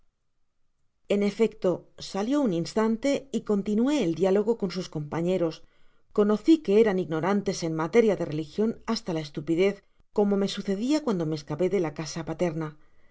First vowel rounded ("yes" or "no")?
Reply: no